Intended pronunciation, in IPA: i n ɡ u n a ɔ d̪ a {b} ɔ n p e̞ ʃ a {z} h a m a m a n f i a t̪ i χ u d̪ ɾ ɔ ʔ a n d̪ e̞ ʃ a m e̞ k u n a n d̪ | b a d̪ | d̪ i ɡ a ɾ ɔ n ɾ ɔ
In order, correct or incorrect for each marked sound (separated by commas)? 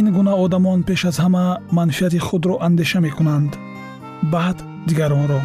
incorrect, correct